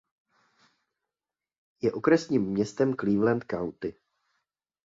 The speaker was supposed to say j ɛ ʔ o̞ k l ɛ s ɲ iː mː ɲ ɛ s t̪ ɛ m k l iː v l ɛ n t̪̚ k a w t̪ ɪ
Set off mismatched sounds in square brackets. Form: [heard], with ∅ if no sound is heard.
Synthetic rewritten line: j ɛ ʔ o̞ k [ɾ] ɛ s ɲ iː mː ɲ ɛ s t̪ ɛ m k l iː v l ɛ n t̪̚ k a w t̪ ɪ

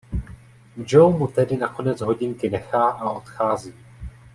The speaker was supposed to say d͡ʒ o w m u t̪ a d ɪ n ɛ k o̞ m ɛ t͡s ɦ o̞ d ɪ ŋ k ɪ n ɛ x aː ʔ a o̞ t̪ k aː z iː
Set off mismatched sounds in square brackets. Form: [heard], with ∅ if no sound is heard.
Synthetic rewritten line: d͡ʒ o w m u t̪ [ɛ] d ɪ n [a] k o̞ [n] ɛ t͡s ɦ o̞ [ɟ] ɪ ŋ k ɪ n ɛ x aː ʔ a o̞ t̪ [x] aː z iː

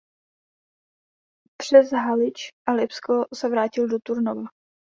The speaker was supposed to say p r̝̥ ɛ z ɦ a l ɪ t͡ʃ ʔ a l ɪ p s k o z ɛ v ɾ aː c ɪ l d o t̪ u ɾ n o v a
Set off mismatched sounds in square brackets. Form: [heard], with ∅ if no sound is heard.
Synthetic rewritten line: p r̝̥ ɛ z ɦ a l ɪ t͡ʃ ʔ a l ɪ p s k o [s] ɛ v ɾ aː c ɪ l d o t̪ u ɾ n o v a

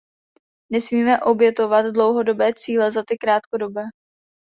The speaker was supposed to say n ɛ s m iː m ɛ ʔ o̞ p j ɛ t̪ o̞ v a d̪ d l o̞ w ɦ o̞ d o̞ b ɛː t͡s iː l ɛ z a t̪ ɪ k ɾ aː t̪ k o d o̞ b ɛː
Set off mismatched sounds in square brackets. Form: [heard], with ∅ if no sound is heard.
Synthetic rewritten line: n ɛ s m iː m ɛ ʔ o̞ [b] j ɛ t̪ o̞ v a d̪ d l o̞ w ɦ o̞ d o̞ b ɛː t͡s iː l ɛ z a t̪ ɪ k ɾ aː t̪ k o d o̞ b ɛː

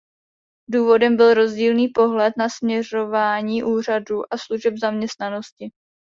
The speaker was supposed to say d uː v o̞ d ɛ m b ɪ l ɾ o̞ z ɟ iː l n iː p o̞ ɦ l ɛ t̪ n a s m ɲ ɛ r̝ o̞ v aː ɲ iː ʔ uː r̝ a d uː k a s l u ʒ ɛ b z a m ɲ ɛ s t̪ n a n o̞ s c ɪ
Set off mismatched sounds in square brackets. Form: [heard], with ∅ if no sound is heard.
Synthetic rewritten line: d uː v o̞ d ɛ m b ɪ l ɾ o̞ z ɟ iː l n iː p o̞ ɦ l ɛ t̪ n a s m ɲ ɛ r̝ o̞ v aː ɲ iː ʔ uː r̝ a d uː [ʔ] a s l u ʒ ɛ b z a m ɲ ɛ s t̪ n a n o̞ s c ɪ

